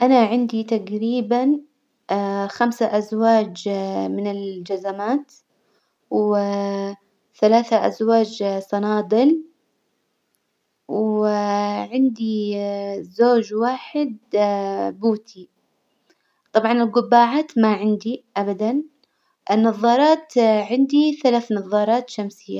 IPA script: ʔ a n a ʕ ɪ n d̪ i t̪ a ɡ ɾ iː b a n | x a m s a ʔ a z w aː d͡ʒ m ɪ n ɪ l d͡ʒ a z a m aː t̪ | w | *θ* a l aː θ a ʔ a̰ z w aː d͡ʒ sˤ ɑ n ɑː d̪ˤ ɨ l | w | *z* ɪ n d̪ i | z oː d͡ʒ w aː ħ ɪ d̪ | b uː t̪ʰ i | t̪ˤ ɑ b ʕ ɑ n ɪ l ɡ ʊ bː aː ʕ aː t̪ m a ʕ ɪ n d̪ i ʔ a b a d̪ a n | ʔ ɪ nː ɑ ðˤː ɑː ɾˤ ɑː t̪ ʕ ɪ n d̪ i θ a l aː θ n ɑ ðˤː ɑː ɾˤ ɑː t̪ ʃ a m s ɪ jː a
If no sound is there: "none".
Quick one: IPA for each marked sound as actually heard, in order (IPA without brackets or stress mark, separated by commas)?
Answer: θ, ʕ